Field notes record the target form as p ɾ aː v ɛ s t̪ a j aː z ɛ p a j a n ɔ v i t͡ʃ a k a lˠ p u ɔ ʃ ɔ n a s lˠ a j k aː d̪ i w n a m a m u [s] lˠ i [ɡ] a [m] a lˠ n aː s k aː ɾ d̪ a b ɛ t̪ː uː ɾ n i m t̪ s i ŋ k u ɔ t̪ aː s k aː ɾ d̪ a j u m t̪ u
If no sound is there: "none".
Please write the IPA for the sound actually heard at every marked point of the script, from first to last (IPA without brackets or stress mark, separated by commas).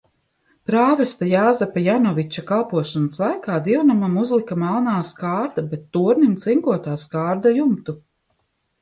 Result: z, k, m